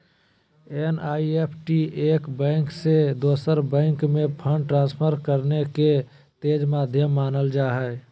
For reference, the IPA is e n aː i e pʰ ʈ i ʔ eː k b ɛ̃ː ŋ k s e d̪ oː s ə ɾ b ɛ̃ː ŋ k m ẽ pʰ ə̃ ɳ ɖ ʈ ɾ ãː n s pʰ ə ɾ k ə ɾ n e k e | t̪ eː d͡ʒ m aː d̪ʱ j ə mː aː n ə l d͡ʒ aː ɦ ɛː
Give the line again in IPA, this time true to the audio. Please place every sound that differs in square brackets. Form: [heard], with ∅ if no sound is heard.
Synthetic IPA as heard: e n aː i e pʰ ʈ i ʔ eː k b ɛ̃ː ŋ k s e d̪ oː s ə ɾ b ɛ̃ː ŋ k m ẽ pʰ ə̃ ɳ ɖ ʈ ɾ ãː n s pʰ ə ɾ k ə ɾ n e k e | t̪ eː d͡ʒ m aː d̪ʱ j ə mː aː n ə l d͡ʒ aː ɦ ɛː